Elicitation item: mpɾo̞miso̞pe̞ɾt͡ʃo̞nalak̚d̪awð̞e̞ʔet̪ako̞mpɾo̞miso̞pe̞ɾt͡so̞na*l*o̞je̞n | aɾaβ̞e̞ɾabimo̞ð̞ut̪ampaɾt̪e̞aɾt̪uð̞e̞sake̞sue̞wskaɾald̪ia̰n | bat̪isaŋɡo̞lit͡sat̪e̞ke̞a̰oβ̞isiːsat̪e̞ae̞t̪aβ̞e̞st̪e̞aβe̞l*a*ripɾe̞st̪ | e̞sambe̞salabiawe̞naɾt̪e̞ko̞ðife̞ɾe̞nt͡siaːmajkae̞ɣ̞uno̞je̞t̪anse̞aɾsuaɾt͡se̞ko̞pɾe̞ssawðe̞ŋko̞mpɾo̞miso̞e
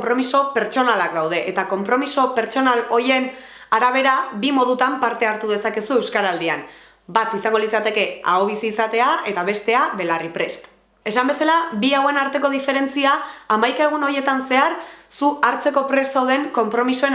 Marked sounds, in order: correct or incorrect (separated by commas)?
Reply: correct, correct